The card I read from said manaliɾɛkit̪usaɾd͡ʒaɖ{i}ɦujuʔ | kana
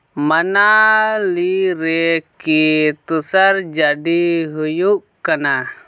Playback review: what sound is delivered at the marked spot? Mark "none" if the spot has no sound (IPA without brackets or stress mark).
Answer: i